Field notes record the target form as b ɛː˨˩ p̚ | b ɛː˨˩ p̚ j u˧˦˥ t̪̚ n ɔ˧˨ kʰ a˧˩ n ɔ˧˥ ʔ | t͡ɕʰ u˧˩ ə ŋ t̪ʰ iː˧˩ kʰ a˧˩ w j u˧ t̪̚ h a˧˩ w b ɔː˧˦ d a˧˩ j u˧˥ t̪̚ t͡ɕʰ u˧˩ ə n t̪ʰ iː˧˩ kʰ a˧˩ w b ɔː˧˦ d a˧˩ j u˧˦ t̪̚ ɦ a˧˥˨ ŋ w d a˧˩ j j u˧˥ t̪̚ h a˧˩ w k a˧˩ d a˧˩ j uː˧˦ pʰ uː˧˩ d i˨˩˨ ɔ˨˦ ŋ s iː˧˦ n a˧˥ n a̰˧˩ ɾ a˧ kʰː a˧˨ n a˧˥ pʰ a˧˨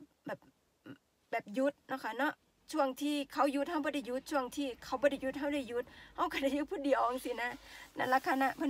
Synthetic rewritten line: b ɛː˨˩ p̚ | b ɛː˨˩ p̚ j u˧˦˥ t̪̚ n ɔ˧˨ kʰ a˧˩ n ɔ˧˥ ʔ | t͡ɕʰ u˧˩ ə ŋ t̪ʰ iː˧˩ kʰ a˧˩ w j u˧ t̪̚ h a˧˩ w b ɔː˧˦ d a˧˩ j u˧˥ t̪̚ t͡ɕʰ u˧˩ ə ŋ t̪ʰ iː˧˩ kʰ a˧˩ w b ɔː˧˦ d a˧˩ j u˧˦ t̪̚ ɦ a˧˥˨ w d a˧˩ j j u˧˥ t̪̚ h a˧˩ w k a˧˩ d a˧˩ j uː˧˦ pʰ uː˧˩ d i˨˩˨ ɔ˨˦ ŋ s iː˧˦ n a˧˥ n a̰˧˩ l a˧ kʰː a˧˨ n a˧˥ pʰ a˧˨

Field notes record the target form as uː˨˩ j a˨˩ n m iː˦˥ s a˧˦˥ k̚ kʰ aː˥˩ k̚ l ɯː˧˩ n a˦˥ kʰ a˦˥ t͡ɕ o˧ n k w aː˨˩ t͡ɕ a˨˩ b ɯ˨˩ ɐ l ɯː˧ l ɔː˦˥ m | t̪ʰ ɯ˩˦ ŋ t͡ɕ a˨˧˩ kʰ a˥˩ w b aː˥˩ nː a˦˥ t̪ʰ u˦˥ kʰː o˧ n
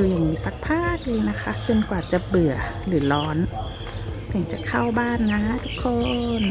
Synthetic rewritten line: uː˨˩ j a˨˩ ŋ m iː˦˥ s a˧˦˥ k̚ pʰ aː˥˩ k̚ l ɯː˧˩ n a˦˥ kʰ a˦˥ t͡ɕ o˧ n k w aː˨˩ t͡ɕ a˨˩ b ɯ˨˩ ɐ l ɯː˩˦ l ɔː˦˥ n | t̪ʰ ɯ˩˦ ŋ t͡ɕ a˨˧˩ kʰ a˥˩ w b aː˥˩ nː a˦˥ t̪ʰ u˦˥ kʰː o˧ n

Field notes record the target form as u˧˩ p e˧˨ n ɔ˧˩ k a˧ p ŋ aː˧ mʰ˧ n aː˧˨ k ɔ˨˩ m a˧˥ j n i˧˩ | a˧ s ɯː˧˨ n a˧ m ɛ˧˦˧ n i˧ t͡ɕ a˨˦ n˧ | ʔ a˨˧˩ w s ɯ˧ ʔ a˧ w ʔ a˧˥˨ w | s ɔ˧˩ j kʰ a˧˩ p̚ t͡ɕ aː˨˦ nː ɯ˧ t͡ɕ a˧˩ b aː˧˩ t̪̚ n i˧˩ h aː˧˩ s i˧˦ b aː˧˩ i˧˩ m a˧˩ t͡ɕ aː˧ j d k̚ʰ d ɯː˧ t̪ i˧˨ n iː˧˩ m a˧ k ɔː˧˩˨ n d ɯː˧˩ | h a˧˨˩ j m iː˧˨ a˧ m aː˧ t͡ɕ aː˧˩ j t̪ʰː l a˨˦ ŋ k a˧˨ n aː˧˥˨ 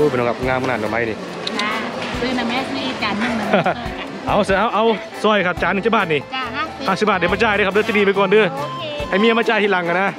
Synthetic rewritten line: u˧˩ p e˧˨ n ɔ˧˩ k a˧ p ŋ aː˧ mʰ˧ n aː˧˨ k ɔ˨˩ m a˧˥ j n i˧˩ | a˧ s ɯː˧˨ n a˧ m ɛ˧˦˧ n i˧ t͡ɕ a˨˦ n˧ | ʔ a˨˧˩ w s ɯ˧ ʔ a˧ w ʔ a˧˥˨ w | s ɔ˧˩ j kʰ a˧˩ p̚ t͡ɕ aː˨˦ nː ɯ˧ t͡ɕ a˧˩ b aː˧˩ t̪̚ n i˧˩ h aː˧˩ s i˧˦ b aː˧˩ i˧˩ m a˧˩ t͡ɕ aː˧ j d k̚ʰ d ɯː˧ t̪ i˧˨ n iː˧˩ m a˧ k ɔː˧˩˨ n d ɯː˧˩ | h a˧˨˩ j m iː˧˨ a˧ m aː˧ t͡ɕ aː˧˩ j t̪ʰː l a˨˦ ŋ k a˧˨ n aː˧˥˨

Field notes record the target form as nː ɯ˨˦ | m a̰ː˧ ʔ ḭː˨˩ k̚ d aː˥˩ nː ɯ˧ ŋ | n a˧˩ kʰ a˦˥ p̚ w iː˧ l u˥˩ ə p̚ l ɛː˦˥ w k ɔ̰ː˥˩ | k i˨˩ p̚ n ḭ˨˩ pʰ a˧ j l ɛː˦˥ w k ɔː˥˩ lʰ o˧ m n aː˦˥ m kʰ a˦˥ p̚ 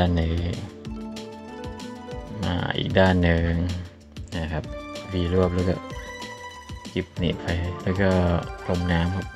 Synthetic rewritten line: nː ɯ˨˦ | m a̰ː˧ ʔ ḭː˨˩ k̚ d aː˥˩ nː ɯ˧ ŋ | n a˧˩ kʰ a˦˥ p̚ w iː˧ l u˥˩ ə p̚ l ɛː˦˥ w k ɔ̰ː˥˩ | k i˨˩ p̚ n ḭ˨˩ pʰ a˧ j l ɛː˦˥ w k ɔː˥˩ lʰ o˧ m n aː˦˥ m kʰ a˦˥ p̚

